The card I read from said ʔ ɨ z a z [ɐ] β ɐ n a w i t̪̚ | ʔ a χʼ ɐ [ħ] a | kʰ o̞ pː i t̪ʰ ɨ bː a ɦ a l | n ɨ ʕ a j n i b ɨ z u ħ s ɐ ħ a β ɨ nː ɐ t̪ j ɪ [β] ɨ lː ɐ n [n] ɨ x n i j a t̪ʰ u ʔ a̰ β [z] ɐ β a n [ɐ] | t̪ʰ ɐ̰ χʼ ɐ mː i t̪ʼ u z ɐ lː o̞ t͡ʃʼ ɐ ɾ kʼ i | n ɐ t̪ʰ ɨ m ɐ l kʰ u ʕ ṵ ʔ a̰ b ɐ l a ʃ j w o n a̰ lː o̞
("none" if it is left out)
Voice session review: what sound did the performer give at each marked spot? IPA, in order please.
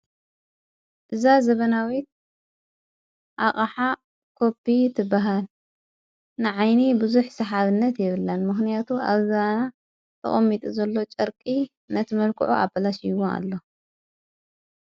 ɐ, ħ, β, m, z, a

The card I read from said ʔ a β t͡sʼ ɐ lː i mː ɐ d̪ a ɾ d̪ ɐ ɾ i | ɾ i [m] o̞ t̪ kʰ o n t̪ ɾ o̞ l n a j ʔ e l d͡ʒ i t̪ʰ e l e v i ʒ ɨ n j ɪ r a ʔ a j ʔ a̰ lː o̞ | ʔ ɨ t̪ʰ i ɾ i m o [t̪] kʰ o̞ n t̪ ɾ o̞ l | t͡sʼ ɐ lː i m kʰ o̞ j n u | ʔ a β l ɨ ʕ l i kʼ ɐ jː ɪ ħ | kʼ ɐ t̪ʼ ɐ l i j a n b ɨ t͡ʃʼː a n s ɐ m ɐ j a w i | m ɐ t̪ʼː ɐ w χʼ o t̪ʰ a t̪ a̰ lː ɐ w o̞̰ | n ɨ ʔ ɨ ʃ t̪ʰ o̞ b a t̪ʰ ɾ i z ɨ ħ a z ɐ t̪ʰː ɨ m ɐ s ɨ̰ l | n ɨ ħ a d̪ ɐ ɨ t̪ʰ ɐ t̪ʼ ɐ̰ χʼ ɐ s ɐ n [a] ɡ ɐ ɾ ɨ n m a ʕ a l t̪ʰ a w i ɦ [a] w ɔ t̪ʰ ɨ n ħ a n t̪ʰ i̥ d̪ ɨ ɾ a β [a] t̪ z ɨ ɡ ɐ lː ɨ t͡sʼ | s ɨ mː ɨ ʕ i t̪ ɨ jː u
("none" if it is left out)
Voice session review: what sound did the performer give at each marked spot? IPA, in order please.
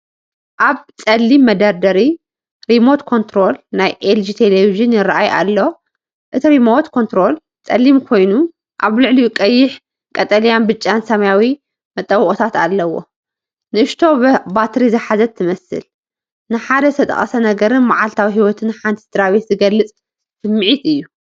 m, t̪, ɐ, i, e

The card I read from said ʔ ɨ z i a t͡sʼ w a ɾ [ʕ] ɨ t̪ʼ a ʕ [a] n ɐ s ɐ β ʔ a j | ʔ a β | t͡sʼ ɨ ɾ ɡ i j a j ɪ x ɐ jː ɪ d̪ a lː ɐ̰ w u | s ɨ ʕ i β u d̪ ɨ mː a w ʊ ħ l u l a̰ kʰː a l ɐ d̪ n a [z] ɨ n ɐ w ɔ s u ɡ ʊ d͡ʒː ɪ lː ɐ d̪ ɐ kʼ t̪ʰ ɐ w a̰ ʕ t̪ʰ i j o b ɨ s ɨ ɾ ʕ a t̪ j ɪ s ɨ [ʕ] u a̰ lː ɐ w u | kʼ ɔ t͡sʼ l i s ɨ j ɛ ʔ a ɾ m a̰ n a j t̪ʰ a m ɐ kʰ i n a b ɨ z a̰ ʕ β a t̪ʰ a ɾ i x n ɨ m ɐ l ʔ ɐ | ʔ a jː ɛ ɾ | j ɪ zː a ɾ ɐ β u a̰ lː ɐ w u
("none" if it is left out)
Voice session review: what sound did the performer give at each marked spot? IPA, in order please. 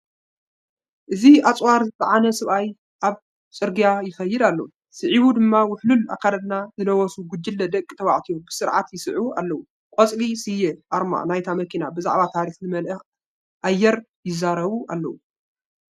z, a, z, ʕ

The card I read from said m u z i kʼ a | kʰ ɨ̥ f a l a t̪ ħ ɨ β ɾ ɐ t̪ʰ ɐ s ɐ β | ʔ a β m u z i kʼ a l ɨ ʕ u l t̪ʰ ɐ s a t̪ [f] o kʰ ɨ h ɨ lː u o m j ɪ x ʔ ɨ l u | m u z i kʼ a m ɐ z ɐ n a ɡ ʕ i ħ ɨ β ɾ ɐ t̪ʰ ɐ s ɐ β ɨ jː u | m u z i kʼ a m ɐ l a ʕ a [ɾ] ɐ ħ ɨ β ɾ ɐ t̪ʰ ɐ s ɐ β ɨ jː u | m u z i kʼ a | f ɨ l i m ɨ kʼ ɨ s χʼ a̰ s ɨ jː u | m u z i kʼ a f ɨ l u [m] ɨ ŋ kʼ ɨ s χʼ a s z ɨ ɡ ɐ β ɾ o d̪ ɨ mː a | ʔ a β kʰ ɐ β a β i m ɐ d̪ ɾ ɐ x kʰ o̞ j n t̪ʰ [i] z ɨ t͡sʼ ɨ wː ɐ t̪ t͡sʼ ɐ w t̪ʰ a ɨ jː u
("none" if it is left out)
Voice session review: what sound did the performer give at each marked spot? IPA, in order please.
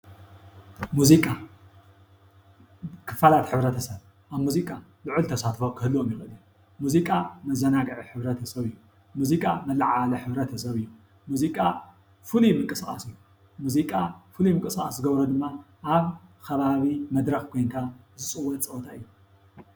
f, l, m, a

